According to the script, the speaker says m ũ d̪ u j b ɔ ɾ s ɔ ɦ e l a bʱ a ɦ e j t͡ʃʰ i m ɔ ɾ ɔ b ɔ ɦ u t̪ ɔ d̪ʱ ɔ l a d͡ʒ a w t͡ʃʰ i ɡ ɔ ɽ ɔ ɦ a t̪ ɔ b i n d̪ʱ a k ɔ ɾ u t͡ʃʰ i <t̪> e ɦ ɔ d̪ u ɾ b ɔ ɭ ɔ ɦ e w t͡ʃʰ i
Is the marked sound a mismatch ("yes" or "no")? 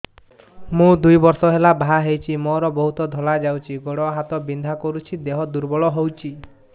yes